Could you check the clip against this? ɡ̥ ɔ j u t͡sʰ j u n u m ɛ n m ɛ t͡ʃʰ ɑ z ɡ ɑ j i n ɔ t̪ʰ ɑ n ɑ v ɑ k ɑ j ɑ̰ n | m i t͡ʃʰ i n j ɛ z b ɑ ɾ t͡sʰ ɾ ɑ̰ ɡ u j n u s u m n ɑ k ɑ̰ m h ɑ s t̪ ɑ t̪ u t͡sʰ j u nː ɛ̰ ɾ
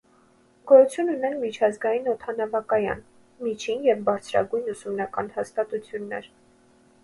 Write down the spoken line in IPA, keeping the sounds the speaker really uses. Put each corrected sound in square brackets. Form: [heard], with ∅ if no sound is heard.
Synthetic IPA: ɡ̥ ɔ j u t͡sʰ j u n u [n] ɛ n m [i] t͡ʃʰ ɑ z ɡ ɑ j i n ɔ t̪ʰ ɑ n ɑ v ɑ k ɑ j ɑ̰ n | m i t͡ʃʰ i n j ɛ [v] b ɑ ɾ t͡sʰ ɾ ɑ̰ ɡ u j n u s u m n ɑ k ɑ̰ [n] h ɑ s t̪ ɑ t̪ u t͡sʰ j u nː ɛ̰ ɾ